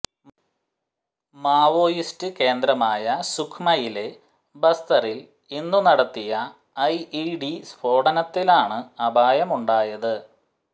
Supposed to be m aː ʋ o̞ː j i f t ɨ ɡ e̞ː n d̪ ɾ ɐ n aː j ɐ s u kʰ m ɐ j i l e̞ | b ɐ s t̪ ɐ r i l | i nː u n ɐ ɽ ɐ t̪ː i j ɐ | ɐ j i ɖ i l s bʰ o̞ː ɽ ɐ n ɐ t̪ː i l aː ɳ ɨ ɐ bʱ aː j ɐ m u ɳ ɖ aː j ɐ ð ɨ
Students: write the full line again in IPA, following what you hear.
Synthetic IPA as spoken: m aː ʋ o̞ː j i s t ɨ k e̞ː n d̪ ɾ ɐ m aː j ɐ s u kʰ m ɐ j i l e̞ | b ɐ s t̪ ɐ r i l | i nː u n ɐ ɽ ɐ t̪ː i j ɐ | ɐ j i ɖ i s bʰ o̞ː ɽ ɐ n ɐ t̪ː i l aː ɳ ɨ ɐ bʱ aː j ɐ m u ɳ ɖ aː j ɐ ð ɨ